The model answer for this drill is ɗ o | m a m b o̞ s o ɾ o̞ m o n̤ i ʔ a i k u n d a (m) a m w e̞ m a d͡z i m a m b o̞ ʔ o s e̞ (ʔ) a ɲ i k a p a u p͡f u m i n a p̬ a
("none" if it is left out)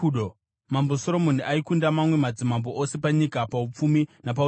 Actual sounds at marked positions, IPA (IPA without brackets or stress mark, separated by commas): m, p